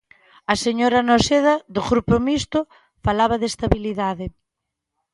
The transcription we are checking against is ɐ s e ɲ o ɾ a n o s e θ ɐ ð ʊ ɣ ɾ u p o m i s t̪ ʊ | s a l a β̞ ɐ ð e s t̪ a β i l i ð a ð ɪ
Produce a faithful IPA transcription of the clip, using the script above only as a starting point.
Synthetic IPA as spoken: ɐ s e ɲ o ɾ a n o s e ð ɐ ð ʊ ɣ ɾ u p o m i s t̪ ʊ | f a l a β̞ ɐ ð e s t̪ a β i l i ð a ð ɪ

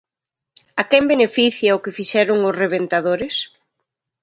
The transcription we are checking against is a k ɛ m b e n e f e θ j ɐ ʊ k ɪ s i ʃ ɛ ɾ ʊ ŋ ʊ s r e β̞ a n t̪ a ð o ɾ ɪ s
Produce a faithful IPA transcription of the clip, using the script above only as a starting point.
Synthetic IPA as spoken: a k ɛ m b e n e f i θ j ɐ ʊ k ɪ f i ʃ ɛ ɾ ʊ ŋ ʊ s r e β̞ e n t̪ a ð o ɾ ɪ s

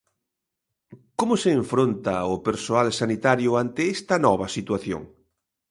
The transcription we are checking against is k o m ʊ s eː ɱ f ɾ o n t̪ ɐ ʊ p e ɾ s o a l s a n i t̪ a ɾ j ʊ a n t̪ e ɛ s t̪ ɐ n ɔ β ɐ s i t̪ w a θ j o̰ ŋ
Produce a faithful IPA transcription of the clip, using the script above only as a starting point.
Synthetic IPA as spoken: k o m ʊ s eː ɱ f ɾ o n t̪ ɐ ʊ p e ɾ s o a l s a n i t̪ a ɾ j ʊ a n t̪ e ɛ s t̪ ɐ n ɔ β ɐ s i t̪ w a θ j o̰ ŋ

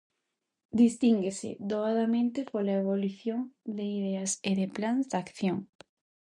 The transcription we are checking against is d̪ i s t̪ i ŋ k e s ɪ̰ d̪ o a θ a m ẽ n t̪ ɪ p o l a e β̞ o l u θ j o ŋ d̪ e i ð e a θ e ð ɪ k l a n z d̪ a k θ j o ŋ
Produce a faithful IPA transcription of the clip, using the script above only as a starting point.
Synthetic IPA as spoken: d̪ i s t̪ i ŋ ɡ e s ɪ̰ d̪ o a ð a m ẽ n t̪ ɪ p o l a e β̞ o l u θ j o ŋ d̪ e i ð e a s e ð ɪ p l a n z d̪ a k θ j o ŋ

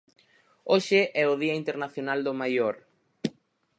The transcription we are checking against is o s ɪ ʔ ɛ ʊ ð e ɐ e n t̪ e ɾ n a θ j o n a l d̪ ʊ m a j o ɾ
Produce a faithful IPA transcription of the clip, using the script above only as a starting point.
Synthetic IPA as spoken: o ʃ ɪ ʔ ɛ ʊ ð i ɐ i n t̪ e ɾ n a θ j o n a l d̪ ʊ m a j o ɾ

